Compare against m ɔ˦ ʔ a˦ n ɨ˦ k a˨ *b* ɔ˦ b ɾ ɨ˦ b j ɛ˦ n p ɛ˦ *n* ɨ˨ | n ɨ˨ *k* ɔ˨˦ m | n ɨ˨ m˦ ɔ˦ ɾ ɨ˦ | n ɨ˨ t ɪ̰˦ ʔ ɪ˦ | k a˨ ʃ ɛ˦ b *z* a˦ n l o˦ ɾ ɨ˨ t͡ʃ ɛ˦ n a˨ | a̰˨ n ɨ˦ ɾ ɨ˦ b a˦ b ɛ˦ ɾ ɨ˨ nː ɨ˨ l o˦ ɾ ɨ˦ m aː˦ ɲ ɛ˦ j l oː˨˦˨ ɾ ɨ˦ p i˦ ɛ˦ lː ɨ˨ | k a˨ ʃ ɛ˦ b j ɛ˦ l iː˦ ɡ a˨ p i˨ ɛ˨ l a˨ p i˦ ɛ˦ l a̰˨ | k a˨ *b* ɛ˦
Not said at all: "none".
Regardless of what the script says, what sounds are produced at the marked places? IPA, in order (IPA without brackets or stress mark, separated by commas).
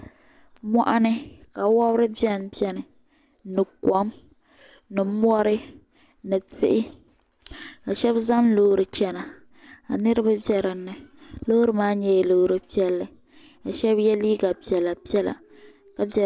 w, n, k, z, b